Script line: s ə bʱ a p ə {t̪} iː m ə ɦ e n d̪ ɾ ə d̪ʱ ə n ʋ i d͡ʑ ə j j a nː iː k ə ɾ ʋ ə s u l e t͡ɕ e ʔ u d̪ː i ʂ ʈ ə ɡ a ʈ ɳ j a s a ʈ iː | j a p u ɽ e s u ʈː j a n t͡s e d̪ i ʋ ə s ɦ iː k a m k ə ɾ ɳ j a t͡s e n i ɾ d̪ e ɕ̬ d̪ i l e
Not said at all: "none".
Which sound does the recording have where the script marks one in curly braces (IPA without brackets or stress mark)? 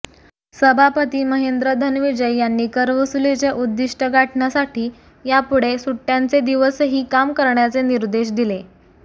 t̪